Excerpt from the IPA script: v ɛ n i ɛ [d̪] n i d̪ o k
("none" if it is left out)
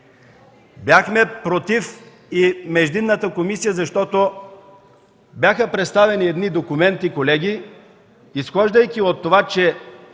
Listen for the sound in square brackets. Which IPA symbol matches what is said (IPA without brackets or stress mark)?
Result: d̪